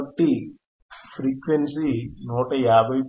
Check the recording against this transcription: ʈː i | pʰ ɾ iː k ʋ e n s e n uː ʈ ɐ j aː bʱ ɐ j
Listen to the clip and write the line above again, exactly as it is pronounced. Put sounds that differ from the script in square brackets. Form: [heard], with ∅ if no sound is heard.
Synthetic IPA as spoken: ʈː i | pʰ ɾ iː k ʋ e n s [i] n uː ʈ ɐ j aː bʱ ɐ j